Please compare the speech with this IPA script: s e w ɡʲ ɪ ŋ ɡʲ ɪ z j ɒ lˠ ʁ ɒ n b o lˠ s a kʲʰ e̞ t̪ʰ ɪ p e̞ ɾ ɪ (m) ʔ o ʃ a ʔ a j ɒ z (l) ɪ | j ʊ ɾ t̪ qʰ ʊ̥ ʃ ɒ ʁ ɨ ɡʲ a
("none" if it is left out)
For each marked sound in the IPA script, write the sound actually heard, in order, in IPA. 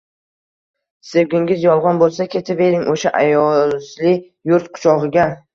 ŋ, l

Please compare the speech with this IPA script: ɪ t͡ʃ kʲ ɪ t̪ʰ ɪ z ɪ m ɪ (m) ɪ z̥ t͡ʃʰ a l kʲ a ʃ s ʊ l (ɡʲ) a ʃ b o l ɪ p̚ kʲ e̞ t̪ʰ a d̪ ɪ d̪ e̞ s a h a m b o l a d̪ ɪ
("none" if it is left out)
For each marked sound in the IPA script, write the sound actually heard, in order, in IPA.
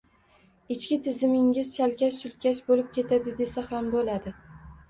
ŋ, kʲ

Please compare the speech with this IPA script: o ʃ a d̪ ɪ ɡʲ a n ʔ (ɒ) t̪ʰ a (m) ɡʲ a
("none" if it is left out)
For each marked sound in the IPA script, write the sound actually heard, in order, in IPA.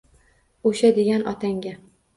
ɒ, ŋ

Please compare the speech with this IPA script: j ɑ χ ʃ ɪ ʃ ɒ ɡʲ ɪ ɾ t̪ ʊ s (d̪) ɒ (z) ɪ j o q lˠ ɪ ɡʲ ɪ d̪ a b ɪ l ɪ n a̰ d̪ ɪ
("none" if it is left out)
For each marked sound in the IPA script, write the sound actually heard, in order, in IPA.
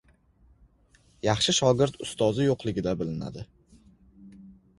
t̪, z

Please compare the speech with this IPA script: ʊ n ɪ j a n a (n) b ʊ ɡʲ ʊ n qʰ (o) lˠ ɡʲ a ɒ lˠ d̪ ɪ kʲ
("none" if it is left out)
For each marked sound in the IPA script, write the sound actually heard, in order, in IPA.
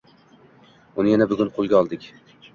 none, o

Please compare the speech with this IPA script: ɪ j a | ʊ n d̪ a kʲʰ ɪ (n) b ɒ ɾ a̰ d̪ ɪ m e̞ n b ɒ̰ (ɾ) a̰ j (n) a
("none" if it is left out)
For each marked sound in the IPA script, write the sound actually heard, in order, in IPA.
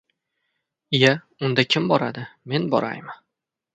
m, ɾ, m

